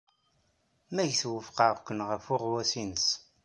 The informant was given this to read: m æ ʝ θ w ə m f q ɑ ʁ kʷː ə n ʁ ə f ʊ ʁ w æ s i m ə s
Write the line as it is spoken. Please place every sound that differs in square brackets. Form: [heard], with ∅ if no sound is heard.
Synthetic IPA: m æ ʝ θ w ə [∅] f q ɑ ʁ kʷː ə n ʁ ə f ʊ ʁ w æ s i [n] ə s